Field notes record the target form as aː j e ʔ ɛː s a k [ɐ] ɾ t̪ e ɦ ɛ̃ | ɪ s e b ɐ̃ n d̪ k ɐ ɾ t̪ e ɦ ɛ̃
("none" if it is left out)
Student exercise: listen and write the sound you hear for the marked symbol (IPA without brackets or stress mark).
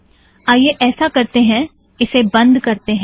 ɐ